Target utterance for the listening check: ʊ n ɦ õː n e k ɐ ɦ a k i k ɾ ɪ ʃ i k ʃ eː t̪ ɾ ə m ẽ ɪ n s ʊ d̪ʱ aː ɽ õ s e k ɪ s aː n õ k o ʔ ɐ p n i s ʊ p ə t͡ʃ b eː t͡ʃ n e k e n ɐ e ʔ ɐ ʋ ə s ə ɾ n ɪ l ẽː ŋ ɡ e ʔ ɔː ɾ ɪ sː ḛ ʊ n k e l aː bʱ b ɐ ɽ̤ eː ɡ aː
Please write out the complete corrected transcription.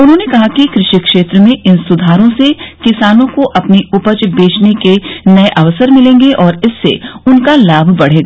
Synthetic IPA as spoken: ʊ n ɦ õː n e k ɐ ɦ a k i k ɾ ɪ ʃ i k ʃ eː t̪ ɾ ə m ẽ ɪ n s ʊ d̪ʱ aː ɾ õ s e k ɪ s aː n õ k o ʔ ɐ p n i ʊ p ə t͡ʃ b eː t͡ʃ n e k e n ɐ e ʔ ɐ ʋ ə s ə ɾ m ɪ l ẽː ŋ ɡ e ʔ ɔː ɾ ɪ sː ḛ ʊ n k a l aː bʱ b ɐ ɽ̤ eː ɡ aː